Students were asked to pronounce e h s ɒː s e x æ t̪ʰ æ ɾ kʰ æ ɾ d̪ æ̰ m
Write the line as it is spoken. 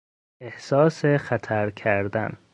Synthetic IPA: e h s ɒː s e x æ t̪ʰ æ ɾ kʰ æ ɾ d̪ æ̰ n